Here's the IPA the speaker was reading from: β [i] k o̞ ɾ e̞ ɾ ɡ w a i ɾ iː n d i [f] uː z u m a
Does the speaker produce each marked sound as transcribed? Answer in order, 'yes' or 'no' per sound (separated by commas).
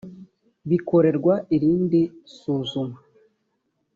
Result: yes, no